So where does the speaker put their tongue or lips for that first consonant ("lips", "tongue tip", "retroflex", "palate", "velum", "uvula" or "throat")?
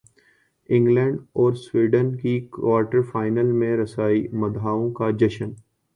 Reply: velum